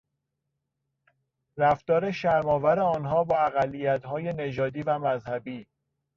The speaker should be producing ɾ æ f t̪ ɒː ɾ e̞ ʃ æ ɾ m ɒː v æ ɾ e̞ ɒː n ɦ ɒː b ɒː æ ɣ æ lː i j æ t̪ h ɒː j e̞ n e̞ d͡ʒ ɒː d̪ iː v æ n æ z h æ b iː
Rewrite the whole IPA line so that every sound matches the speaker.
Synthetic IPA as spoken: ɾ æ f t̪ ɒː ɾ e̞ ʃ æ ɾ m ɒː v æ ɾ e̞ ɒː n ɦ ɒː b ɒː æ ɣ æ lː i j æ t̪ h ɒː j e̞ n e̞ d͡ʒ ɒː d̪ iː v æ m æ z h æ b iː